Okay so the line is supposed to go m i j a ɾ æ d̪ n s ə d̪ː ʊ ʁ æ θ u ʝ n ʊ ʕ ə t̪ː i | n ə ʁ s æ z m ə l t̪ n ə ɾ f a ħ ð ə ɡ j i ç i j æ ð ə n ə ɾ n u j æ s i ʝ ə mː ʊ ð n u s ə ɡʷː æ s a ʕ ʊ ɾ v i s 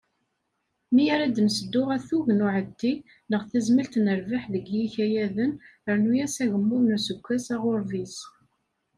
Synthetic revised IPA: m i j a ɾ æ d̪ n s ə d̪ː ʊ ʁ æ θ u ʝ n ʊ ʕ ə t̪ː i | n ə ʁ θ æ z m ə l t̪ n ə ɾ v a ħ ð ə ɡ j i ç æ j æ ð ə n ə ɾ n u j æ s æ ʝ ə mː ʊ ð n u s ə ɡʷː æ s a ʁ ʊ ɾ v i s